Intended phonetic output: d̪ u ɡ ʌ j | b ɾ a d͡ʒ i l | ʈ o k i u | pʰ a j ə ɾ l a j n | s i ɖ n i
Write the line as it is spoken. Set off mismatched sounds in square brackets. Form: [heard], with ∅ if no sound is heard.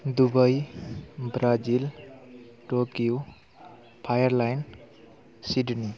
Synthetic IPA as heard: d̪ u [b] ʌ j | b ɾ a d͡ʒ i l | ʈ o k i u | pʰ a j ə ɾ l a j n | s i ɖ n i